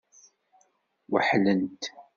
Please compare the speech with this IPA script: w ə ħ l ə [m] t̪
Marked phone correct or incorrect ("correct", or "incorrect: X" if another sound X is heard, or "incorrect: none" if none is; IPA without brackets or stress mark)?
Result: incorrect: n